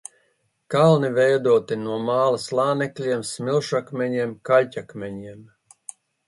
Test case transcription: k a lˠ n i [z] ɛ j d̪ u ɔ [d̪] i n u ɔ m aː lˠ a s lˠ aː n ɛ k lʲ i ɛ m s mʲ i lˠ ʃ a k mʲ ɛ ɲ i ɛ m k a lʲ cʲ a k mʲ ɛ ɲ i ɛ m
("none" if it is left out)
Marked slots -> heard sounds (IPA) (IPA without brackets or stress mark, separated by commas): v, t̪